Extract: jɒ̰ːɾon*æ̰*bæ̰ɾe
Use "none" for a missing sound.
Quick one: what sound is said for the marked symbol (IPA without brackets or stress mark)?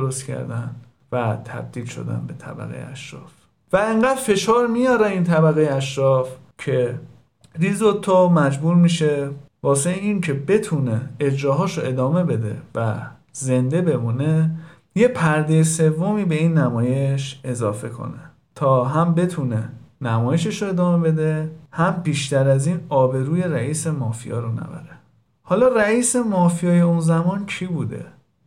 æ̰